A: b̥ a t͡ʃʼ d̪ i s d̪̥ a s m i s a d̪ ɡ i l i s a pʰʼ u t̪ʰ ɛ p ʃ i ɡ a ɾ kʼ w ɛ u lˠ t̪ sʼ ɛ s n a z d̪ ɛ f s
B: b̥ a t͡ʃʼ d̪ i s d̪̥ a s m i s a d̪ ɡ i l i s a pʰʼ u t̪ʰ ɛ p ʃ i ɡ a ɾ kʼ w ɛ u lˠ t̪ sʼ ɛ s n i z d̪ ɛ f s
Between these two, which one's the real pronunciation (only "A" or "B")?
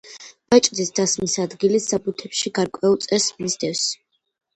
B